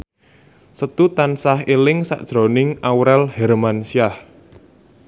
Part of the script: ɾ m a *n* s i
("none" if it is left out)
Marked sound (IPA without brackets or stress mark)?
n